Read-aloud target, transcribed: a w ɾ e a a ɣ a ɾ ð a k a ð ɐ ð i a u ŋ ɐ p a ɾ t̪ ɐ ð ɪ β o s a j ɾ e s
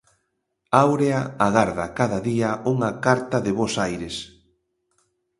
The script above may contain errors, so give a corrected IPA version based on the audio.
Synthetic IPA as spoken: a w ɾ e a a ɣ a ɾ ð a k a ð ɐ ð i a u ŋ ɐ k a ɾ t̪ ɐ ð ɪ β o s a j ɾ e s